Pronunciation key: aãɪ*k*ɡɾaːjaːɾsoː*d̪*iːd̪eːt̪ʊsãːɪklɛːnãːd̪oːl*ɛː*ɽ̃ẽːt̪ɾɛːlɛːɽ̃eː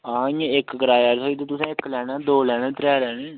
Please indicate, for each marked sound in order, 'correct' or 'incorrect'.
correct, incorrect: none, correct

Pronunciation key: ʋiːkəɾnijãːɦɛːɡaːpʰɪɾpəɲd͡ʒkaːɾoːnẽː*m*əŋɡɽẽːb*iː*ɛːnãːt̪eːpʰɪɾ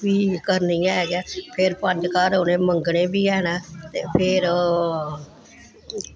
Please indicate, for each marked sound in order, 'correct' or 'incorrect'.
correct, correct

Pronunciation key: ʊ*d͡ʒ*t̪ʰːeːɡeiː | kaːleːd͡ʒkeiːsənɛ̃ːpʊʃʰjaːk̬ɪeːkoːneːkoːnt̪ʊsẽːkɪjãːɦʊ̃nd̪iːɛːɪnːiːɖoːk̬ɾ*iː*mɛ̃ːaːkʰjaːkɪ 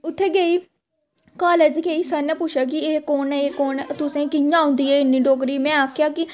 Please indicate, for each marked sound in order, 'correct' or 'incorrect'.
incorrect: none, correct

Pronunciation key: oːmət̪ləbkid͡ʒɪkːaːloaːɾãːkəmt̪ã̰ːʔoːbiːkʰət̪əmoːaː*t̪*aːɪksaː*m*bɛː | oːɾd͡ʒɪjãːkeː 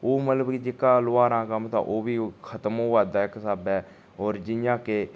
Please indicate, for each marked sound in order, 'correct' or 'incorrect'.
incorrect: d̪, incorrect: none

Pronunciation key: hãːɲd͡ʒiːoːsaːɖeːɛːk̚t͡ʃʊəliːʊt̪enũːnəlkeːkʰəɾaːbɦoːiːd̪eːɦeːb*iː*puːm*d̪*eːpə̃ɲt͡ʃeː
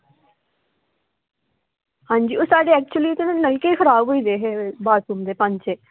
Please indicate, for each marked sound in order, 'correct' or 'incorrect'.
incorrect: aː, correct

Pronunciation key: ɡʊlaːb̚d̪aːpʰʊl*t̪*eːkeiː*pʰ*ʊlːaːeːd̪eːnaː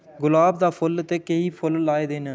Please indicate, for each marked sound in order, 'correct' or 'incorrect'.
correct, correct

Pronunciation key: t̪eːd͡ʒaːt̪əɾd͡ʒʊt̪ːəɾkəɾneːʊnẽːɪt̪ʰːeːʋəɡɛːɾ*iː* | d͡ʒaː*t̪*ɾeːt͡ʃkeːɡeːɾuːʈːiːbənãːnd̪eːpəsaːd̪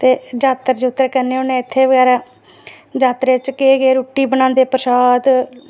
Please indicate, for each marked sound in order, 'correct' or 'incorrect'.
incorrect: aː, correct

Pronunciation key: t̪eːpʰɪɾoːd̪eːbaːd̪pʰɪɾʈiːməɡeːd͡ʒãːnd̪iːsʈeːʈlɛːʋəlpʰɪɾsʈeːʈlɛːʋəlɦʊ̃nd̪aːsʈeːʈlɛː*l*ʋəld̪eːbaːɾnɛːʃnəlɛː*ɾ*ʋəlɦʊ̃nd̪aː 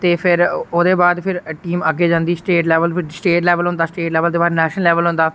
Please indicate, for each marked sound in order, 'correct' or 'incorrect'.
incorrect: none, incorrect: none

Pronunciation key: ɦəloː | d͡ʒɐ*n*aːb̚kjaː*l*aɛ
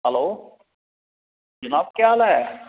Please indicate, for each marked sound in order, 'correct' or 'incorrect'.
correct, correct

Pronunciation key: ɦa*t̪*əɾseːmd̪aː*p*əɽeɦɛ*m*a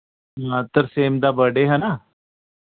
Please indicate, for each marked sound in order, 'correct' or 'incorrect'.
correct, incorrect: b, incorrect: n

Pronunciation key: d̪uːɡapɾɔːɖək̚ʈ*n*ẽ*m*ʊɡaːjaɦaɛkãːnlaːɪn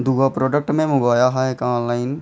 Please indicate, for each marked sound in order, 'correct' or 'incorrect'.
incorrect: m, correct

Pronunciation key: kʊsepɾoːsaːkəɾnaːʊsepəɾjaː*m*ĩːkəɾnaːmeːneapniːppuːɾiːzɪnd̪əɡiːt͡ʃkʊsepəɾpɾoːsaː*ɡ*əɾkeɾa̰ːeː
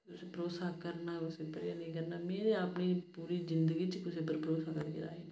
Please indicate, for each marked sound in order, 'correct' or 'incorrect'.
incorrect: n, incorrect: k

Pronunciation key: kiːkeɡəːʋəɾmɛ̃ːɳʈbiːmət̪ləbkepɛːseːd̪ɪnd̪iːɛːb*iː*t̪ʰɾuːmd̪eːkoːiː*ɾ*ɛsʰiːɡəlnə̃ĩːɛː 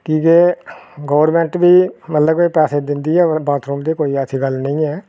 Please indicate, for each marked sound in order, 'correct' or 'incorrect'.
incorrect: aː, incorrect: none

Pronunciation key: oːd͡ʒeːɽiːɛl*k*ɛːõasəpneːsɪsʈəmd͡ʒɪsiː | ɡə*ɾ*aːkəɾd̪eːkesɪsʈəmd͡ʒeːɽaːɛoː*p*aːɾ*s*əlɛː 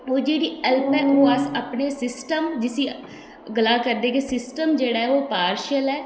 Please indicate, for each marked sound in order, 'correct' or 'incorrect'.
incorrect: p, incorrect: l, correct, incorrect: ʃ

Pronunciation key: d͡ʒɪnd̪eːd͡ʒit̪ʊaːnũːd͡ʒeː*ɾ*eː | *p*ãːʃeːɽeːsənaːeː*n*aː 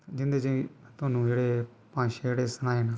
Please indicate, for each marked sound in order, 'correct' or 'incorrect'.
incorrect: ɽ, correct, correct

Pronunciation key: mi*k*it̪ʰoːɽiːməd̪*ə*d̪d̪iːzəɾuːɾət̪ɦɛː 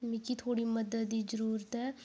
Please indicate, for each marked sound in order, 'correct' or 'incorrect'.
correct, correct

